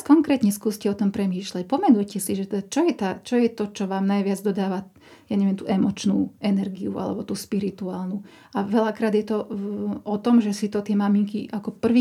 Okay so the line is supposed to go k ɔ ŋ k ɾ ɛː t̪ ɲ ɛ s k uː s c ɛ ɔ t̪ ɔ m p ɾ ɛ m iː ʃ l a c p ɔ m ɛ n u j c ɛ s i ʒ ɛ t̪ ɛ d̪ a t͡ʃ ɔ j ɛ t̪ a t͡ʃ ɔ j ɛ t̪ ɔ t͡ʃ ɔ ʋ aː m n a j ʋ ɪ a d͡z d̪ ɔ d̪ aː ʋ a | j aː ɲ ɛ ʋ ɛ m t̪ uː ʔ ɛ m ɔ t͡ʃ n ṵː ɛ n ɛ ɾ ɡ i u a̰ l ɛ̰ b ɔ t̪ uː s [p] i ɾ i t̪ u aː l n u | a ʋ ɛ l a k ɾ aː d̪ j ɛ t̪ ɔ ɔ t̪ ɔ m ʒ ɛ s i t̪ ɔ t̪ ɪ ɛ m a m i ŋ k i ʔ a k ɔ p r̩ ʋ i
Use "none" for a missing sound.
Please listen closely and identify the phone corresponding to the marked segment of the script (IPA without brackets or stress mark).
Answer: p